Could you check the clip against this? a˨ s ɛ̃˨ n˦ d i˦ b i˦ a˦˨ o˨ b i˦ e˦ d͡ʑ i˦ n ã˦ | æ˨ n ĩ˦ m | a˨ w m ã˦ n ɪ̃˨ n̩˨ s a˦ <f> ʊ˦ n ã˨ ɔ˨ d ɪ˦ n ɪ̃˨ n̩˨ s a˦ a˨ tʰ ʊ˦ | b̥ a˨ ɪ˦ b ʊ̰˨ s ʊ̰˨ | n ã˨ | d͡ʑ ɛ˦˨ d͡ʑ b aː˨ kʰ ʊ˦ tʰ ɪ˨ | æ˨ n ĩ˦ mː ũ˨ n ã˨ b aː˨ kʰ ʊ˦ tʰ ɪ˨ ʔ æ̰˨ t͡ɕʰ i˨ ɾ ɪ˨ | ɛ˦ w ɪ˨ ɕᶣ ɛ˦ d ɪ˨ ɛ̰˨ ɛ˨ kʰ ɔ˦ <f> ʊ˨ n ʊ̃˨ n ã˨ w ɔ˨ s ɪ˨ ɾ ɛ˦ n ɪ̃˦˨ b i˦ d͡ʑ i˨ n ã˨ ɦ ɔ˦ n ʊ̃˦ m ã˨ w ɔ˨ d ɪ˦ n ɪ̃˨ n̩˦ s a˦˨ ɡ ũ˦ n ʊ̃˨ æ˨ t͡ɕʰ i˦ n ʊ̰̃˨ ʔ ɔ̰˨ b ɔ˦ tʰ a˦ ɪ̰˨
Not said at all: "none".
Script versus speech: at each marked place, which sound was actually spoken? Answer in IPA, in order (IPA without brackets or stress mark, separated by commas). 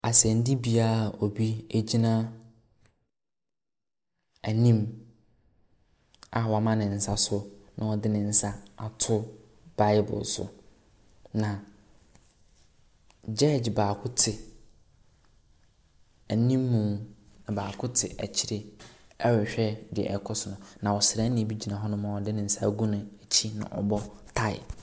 s, s